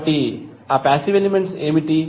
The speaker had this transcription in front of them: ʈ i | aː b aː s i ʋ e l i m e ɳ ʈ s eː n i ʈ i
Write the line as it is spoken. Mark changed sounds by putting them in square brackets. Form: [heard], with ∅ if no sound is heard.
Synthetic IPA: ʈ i | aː [p] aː s i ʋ e l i m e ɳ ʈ s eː [m] i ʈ i

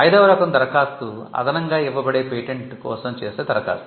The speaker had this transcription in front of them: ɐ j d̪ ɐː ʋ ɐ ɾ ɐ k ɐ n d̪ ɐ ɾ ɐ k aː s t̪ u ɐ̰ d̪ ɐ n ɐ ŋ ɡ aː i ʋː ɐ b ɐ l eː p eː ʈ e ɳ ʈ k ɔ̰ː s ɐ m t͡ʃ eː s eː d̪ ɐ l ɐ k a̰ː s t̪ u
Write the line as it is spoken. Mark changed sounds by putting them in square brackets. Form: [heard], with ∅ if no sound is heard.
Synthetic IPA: ɐ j d̪ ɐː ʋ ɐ ɾ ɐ k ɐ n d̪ ɐ ɾ ɐ k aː s t̪ u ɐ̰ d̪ ɐ n ɐ ŋ ɡ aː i ʋː ɐ b ɐ [ɽ] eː p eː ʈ e ɳ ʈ k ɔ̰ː s ɐ m t͡ʃ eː s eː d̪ ɐ [ɾ] ɐ k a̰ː s t̪ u

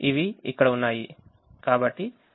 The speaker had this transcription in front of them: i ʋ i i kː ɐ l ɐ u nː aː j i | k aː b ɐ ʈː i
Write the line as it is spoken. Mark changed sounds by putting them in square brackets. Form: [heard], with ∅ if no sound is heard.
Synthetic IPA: i ʋ i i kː ɐ [ɽ] ɐ u nː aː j i | k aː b ɐ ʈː i

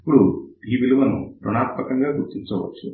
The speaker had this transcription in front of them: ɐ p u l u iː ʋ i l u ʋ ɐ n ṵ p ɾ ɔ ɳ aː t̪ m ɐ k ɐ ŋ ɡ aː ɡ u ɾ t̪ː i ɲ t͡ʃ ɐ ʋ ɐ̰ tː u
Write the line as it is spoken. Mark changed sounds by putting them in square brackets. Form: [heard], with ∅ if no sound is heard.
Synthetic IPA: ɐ p u [ɽ] u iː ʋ i l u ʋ ɐ n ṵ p ɾ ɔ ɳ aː t̪ m ɐ k ɐ ŋ ɡ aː ɡ u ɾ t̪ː i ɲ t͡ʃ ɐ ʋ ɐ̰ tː u

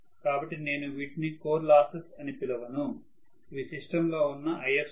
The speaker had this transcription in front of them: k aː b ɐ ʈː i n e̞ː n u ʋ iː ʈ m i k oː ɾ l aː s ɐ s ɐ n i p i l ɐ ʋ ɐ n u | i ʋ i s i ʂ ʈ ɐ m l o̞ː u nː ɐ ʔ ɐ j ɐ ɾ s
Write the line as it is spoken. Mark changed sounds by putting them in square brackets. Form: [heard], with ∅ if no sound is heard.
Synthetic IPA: k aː b ɐ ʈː i n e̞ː n u ʋ iː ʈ [n] i k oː ɾ l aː s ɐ s ɐ n i p i l ɐ ʋ ɐ n u | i ʋ i s i ʂ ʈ ɐ m l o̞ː u nː ɐ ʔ ɐ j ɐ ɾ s

